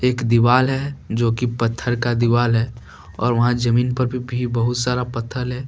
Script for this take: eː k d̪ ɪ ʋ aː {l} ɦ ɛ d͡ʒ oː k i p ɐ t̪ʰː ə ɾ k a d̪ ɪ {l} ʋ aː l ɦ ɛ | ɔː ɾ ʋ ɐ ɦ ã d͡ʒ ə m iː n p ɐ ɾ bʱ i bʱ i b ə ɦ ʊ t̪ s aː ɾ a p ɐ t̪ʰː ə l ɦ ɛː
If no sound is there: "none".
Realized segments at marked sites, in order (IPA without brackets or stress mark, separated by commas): l, none